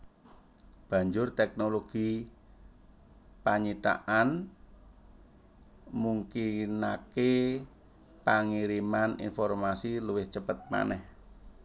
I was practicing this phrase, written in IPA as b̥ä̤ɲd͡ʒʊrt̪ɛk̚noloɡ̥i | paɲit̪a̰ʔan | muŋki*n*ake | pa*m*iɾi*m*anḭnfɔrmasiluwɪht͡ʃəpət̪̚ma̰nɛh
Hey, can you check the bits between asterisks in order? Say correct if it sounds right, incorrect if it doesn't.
correct, incorrect: ŋ, correct

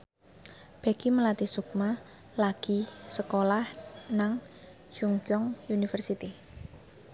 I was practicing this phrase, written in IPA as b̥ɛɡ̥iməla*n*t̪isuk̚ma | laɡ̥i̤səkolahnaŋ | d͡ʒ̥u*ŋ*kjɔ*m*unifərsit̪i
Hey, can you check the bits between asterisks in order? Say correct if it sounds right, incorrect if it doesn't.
incorrect: none, correct, incorrect: ŋ

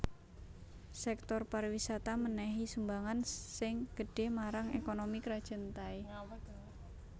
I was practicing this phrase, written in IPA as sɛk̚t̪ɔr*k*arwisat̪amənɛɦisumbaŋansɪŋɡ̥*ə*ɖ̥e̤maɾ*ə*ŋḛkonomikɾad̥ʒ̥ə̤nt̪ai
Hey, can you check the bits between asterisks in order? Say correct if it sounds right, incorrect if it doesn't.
incorrect: p, correct, incorrect: a

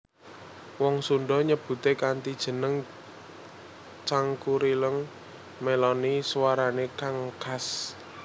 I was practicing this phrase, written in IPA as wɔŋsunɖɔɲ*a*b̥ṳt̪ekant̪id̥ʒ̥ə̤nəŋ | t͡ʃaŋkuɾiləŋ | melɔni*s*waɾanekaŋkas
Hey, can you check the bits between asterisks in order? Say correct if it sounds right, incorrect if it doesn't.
incorrect: ə, correct

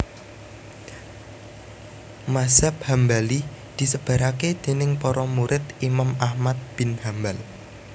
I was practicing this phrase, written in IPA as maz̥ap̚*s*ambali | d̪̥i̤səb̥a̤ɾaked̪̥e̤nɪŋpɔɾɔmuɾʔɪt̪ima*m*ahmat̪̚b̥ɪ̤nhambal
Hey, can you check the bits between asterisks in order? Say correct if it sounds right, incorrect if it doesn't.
incorrect: h, correct

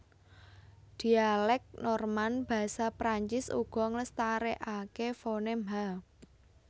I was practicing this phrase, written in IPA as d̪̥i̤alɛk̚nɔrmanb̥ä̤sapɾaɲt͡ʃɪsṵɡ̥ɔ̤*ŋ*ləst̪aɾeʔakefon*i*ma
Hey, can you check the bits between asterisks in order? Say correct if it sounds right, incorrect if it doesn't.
correct, incorrect: e

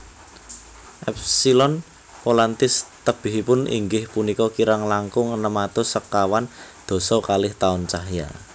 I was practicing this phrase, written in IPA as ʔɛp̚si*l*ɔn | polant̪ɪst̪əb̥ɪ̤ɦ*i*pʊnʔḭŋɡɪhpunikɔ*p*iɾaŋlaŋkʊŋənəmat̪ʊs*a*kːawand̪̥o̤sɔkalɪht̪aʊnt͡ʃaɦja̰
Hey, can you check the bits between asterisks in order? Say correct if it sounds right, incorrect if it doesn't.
correct, correct, incorrect: k, incorrect: ə

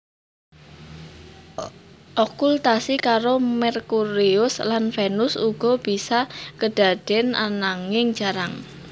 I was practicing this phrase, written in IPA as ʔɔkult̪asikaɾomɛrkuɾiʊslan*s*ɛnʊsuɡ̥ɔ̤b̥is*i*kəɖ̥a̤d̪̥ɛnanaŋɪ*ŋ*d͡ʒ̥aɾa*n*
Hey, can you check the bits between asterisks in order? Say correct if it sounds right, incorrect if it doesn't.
incorrect: f, incorrect: a, correct, incorrect: ŋ

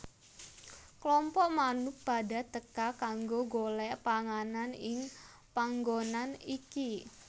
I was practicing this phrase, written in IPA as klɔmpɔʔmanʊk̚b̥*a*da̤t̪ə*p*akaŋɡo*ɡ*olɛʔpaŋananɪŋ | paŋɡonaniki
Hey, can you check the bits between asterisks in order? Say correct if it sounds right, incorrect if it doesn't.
correct, incorrect: k, correct

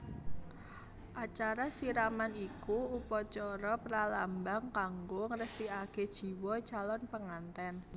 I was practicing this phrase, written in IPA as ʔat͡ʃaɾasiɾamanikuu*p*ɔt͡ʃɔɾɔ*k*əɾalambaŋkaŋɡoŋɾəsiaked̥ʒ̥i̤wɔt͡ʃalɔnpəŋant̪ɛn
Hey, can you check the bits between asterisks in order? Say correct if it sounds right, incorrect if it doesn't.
correct, incorrect: p

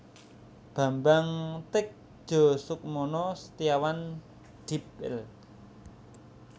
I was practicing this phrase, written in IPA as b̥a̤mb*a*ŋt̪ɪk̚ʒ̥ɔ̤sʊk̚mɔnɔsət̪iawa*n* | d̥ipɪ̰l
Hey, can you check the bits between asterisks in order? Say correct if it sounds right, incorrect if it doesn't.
correct, correct

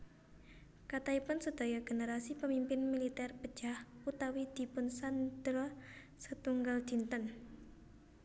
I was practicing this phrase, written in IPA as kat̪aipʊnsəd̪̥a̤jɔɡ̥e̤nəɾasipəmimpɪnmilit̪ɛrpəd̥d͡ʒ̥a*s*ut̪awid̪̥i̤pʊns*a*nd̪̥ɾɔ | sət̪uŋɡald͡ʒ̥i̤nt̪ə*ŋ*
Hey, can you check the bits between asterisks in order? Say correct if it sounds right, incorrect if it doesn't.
incorrect: h, correct, incorrect: n

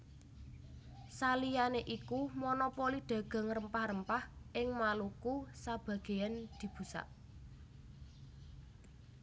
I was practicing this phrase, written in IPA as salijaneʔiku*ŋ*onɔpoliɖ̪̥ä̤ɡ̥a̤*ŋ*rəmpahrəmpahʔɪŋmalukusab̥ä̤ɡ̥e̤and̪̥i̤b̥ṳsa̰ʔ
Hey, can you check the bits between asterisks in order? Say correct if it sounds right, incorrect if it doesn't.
incorrect: m, correct

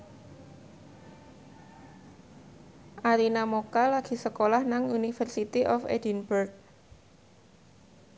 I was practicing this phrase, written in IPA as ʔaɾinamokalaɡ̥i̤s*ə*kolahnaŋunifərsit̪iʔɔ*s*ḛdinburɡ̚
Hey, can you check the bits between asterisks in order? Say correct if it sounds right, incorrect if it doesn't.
correct, incorrect: f

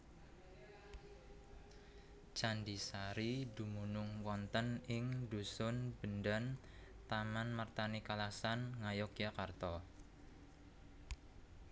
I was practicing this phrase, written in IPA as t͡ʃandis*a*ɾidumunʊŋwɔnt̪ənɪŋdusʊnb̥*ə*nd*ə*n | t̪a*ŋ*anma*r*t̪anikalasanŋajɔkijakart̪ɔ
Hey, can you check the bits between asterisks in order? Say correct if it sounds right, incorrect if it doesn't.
correct, correct, incorrect: a, incorrect: m, correct

